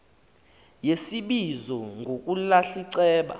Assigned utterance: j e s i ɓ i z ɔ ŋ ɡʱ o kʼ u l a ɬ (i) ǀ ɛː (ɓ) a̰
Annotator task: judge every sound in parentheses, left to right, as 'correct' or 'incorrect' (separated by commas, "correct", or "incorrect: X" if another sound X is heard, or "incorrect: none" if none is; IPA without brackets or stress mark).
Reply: correct, correct